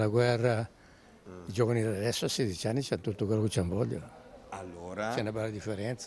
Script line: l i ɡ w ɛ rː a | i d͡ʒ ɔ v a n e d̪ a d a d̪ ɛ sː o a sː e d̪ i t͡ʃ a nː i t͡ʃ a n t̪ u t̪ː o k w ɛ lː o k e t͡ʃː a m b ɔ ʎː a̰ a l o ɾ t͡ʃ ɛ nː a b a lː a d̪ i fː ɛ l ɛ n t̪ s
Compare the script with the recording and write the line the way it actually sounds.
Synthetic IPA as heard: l a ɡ w ɛ rː a | i d͡ʒ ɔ v a n i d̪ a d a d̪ ɛ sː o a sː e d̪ i t͡ʃ a nː i t͡ʃ a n t̪ u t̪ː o k w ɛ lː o k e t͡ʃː a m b ɔ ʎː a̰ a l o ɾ t͡ʃ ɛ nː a b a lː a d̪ i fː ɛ ɾ ɛ n t̪ s